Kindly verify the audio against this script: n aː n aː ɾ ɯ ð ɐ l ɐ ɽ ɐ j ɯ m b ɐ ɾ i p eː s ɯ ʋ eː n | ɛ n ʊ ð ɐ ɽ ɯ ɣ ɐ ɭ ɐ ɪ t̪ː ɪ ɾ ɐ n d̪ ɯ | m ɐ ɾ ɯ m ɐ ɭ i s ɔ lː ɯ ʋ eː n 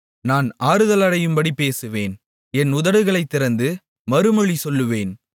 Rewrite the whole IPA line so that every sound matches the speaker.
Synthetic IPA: n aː n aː ɾ ɯ ð ɐ l ɐ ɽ ɐ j ɯ m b ɐ ɽ i p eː s ɯ ʋ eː n | ɛ n ʊ ð ɐ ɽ ɯ ɣ ɐ ɭ ɐ ɪ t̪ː ɪ ɾ ɐ n d̪ ɯ | m ɐ ɾ ɯ m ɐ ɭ i s ɔ lː ɯ ʋ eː n